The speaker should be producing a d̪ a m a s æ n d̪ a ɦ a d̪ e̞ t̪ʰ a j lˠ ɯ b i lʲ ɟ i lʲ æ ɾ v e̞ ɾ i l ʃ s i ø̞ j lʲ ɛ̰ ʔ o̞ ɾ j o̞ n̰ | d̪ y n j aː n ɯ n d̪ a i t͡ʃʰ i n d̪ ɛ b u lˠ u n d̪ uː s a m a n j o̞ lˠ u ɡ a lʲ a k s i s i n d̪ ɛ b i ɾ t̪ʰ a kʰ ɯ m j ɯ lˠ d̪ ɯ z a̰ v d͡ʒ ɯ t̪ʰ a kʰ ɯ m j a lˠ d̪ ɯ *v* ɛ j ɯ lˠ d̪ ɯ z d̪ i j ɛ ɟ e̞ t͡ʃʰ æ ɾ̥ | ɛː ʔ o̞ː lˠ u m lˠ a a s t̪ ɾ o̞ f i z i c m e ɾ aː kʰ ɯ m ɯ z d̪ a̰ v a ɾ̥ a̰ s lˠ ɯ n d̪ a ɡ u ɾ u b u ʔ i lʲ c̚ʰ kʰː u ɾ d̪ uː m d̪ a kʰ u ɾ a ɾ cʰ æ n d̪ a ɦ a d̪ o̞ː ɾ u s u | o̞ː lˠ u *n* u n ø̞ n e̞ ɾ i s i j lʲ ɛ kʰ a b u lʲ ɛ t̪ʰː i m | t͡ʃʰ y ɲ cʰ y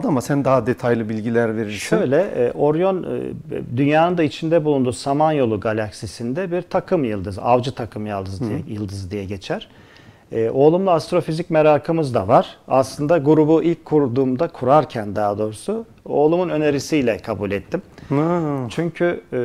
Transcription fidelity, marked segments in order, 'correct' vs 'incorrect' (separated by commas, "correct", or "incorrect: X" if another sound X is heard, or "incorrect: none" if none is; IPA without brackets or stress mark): incorrect: z, incorrect: m